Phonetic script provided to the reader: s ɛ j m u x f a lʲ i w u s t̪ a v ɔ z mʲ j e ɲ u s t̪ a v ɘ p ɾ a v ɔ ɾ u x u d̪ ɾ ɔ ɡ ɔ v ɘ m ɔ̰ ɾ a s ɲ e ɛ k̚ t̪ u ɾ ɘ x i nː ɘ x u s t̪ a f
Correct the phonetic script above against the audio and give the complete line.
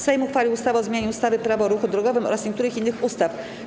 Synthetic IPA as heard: s ɛ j m u x f a lʲ i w u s t̪ a v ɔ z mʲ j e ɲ u s t̪ a v ɘ p ɾ a v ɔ ɾ u x u d̪ ɾ ɔ ɡ ɔ v ɘ m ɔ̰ ɾ a s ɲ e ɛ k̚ t̪ u ɾ ɘ x i nː ɘ x u s t̪ a f